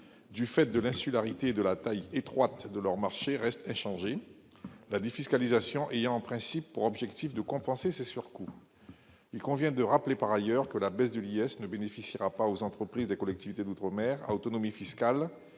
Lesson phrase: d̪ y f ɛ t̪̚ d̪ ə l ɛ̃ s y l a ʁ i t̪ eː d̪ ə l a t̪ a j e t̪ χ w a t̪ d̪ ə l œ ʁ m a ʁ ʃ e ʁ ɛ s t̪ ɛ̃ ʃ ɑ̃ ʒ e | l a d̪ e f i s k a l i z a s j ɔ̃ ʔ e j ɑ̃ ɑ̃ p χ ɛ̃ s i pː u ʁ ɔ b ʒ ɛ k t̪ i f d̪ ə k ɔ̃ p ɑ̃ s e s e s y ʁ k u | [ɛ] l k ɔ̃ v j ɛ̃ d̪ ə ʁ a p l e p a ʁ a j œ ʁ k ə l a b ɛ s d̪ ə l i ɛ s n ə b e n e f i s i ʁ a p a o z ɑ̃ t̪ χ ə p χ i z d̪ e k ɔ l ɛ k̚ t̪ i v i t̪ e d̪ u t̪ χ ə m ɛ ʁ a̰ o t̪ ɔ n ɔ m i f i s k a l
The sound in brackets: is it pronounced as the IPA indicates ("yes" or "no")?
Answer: no